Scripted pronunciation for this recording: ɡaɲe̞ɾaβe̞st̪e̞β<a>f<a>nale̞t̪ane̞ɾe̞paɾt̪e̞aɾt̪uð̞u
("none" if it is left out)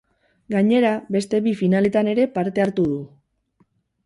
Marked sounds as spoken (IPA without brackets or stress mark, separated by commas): i, i